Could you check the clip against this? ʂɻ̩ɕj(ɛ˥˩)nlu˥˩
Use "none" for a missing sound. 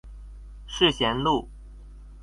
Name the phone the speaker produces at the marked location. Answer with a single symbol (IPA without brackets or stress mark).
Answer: ɛ˧˥